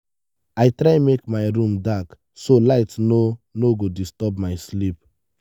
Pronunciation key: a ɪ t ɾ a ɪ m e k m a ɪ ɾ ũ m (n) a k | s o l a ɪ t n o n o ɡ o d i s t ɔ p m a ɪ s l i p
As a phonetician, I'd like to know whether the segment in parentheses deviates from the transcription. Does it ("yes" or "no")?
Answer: yes